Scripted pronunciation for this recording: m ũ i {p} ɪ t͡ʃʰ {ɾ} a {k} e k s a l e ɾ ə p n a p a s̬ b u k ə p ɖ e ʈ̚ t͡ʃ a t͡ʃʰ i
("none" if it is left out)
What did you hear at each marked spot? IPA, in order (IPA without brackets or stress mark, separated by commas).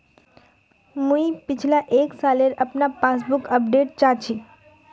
p, l, ʔ